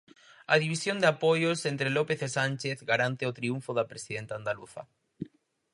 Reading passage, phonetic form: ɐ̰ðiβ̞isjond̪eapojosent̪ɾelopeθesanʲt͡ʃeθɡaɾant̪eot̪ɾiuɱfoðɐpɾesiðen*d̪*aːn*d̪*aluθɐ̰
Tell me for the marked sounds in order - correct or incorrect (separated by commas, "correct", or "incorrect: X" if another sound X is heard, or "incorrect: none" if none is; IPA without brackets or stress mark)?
incorrect: t̪, correct